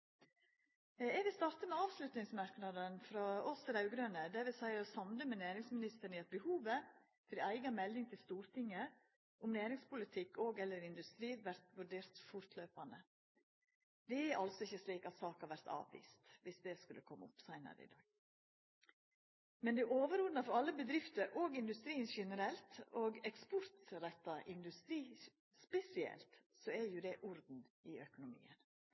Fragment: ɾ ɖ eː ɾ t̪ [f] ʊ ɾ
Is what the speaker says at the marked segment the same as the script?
yes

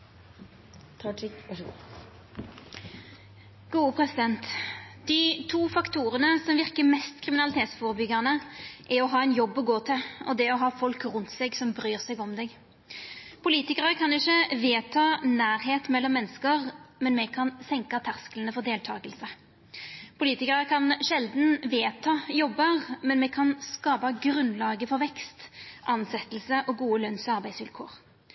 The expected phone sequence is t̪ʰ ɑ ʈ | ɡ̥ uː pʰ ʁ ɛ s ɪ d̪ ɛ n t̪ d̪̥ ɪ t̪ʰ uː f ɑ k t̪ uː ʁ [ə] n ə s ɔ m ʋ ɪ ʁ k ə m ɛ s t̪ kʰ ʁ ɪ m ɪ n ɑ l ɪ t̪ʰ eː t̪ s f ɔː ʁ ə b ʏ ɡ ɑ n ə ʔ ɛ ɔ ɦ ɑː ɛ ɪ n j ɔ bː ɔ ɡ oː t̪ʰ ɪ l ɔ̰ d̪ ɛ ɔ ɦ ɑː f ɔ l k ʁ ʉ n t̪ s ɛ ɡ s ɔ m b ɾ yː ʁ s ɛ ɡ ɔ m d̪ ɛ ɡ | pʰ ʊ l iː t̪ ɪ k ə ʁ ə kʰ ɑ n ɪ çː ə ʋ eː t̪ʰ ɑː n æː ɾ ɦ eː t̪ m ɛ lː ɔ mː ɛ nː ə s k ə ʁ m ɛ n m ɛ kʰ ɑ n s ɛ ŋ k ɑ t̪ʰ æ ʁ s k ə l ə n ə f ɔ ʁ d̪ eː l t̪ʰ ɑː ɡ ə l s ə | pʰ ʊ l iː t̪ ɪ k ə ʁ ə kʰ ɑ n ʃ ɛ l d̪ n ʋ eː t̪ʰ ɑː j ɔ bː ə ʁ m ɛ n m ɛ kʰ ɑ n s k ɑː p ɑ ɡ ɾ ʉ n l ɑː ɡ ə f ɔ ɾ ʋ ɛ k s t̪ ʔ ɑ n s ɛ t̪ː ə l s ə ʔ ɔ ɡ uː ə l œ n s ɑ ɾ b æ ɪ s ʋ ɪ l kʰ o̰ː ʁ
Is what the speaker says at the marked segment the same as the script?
yes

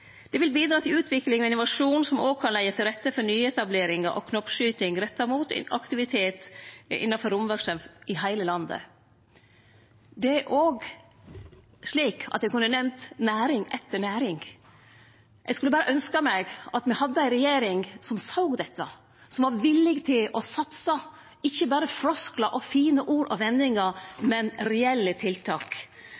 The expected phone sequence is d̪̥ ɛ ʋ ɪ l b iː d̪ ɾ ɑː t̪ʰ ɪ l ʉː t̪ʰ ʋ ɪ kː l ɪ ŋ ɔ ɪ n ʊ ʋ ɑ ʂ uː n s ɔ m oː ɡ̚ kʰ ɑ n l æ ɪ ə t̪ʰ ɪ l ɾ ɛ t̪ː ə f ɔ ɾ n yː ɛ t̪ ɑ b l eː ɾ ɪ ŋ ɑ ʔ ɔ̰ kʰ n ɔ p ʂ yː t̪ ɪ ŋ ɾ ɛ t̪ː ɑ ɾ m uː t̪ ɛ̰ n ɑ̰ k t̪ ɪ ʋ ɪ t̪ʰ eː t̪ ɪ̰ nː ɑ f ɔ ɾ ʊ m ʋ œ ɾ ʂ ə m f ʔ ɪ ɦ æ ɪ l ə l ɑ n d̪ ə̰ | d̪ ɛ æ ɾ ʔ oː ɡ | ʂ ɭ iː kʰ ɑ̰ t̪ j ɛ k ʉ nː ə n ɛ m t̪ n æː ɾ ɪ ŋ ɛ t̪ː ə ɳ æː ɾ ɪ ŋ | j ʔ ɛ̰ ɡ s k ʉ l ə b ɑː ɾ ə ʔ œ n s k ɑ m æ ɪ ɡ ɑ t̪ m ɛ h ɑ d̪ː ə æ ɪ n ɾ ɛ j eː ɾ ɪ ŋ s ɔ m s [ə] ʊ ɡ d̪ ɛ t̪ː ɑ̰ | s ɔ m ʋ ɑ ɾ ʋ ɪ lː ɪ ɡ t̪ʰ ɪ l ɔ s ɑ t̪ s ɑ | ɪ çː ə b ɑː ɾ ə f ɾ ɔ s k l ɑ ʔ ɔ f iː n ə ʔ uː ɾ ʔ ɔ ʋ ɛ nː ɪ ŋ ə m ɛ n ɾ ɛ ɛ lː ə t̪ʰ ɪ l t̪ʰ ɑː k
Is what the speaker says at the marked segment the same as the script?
no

